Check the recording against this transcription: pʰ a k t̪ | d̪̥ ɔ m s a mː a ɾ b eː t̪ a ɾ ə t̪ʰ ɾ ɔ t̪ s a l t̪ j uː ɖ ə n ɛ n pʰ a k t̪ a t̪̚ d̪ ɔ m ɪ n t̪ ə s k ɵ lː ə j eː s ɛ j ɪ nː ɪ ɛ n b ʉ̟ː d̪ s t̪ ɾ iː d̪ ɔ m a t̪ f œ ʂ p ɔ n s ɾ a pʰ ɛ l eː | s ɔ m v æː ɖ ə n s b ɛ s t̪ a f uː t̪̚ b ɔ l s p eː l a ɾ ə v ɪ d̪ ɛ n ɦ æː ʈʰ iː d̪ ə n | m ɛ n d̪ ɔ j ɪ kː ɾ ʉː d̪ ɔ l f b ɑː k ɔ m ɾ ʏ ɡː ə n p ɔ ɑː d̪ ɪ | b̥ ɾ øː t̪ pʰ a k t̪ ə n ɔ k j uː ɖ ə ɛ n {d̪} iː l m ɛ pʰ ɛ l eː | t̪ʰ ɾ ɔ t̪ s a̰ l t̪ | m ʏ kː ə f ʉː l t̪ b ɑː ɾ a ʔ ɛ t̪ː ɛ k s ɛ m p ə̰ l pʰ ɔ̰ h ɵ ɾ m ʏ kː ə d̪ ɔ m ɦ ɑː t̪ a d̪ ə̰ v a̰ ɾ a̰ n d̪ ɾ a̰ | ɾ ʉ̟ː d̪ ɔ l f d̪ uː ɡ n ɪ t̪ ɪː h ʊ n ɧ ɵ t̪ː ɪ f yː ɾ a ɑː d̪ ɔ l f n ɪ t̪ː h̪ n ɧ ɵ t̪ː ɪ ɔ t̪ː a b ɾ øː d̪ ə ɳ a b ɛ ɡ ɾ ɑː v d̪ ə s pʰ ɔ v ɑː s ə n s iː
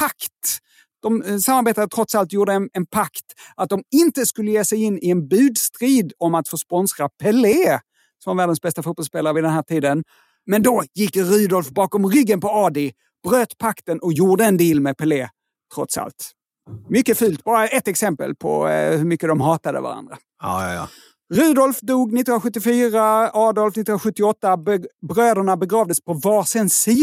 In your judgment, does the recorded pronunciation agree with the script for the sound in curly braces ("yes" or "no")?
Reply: yes